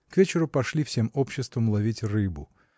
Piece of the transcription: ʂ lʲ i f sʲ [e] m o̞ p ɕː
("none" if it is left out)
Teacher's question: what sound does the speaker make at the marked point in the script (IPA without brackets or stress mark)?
e